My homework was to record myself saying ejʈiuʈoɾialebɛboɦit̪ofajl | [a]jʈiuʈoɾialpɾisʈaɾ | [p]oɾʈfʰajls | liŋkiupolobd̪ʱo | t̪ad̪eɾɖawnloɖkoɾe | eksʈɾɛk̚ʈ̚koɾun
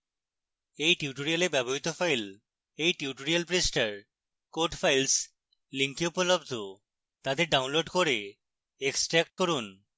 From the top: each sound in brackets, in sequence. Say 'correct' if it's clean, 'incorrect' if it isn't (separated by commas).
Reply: incorrect, incorrect